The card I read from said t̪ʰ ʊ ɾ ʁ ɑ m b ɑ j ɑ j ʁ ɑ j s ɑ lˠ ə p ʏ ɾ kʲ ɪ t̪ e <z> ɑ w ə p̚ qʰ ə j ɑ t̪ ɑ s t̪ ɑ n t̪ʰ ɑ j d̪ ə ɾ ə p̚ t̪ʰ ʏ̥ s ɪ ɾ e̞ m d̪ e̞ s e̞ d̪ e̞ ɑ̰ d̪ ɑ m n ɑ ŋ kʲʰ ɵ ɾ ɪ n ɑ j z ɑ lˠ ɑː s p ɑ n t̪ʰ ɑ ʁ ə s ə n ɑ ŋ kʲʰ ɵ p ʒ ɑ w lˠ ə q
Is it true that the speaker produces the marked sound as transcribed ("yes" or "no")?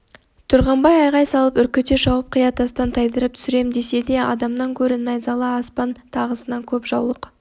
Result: no